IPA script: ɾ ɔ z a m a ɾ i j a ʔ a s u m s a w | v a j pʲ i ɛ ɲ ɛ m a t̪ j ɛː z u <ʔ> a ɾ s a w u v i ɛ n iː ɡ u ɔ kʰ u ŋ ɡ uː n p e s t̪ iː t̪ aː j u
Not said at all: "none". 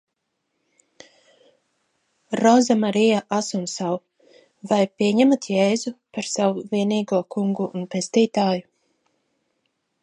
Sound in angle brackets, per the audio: p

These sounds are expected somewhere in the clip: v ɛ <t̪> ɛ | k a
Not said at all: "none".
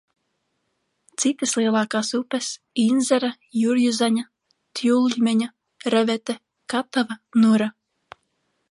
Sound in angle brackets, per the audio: t̪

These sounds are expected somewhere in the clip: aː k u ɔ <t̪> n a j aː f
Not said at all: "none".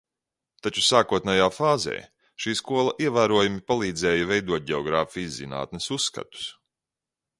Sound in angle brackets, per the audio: t̪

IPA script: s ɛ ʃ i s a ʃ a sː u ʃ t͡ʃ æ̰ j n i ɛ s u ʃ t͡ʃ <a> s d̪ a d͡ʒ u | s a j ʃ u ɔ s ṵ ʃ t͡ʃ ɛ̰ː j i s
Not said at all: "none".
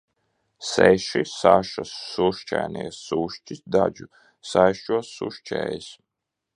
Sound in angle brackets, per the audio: i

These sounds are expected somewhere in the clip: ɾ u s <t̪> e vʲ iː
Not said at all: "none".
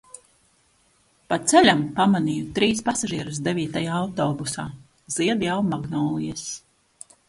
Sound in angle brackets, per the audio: d̪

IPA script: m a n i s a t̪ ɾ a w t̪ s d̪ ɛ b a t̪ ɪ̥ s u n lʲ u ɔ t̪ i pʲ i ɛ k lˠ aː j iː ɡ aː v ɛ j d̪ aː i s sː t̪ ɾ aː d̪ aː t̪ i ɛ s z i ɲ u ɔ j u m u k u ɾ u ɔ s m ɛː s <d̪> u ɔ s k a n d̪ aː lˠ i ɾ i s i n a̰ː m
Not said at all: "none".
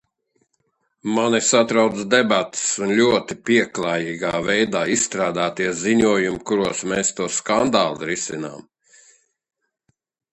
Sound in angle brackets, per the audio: t̪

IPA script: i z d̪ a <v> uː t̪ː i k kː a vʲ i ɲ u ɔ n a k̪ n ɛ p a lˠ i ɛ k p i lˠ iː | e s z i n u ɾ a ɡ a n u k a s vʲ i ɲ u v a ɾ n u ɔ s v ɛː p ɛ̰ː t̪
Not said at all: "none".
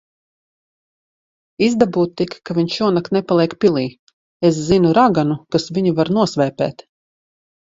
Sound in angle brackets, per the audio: b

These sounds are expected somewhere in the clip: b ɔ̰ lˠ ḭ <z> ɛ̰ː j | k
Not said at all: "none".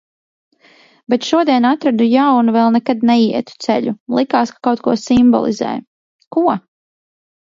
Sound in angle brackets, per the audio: z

